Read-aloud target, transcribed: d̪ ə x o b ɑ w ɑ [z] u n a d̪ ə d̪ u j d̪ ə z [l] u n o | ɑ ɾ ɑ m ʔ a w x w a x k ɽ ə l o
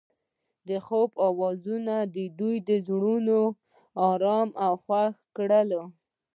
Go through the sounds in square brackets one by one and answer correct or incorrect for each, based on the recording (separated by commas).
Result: correct, incorrect